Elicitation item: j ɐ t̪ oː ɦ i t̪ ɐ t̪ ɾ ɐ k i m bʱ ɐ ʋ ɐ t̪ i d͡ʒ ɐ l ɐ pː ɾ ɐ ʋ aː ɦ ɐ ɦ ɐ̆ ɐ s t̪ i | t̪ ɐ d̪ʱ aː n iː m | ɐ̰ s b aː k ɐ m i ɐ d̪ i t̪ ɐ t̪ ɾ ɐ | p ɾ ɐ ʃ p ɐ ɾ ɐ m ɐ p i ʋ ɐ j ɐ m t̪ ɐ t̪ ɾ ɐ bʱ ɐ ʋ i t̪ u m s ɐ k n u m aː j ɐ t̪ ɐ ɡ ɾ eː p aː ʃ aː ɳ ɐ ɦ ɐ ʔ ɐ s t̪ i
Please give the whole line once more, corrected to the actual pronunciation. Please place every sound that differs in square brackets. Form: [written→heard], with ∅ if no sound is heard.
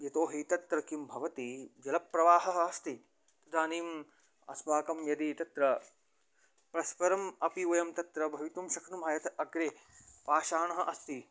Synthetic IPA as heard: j ɐ t̪ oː ɦ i t̪ ɐ t̪ ɾ ɐ k i m bʱ ɐ ʋ ɐ t̪ i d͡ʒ ɐ l ɐ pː ɾ ɐ ʋ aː ɦ ɐ ɦ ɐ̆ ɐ s t̪ i | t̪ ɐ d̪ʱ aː n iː m | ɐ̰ s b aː k ɐ m [i→j] ɐ d̪ i t̪ ɐ t̪ ɾ ɐ | p ɾ ɐ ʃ p ɐ ɾ ɐ m ɐ p i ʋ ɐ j ɐ m t̪ ɐ t̪ ɾ ɐ bʱ ɐ ʋ i t̪ u m [s→ʃ] ɐ k n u m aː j ɐ t̪ ɐ ɡ ɾ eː p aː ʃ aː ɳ ɐ ɦ ɐ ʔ ɐ s t̪ i